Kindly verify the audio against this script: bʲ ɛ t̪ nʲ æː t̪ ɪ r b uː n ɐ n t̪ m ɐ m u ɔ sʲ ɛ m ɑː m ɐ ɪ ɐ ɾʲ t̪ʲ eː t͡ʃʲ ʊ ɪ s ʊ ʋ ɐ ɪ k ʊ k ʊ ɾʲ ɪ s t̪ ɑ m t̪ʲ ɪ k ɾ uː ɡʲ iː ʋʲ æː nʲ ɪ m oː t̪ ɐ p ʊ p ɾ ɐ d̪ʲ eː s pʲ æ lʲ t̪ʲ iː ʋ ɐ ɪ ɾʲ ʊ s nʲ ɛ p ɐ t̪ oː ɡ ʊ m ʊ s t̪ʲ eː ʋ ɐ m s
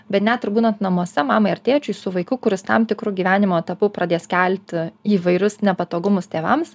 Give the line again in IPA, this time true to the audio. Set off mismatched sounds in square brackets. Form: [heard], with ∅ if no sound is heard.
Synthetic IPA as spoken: bʲ ɛ t̪ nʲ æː t̪ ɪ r b uː n ɐ n t̪ [n] ɐ m u ɔ sʲ ɛ m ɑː m ɐ ɪ ɐ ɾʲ t̪ʲ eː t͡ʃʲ ʊ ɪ s ʊ ʋ ɐ ɪ k ʊ k ʊ ɾʲ ɪ s t̪ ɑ m t̪ʲ ɪ k ɾ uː ɡʲ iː ʋʲ æː nʲ ɪ m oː t̪ ɐ p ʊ p ɾ ɐ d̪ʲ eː s [kʲ] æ lʲ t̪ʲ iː ʋ ɐ ɪ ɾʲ ʊ s nʲ ɛ p ɐ t̪ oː ɡ ʊ m ʊ s t̪ʲ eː ʋ ɐ m s